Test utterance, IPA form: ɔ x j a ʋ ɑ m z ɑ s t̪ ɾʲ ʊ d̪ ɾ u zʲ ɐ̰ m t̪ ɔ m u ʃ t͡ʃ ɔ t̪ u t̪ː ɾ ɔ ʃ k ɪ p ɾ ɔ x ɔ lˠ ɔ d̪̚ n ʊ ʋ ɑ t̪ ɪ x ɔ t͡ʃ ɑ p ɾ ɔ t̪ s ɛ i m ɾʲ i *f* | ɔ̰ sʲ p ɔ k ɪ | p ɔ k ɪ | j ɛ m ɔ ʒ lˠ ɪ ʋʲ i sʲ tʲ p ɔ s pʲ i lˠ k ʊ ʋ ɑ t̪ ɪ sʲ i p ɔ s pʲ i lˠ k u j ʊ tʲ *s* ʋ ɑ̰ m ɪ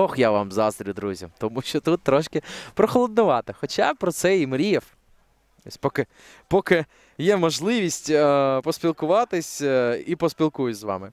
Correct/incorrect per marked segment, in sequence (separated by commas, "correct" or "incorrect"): correct, incorrect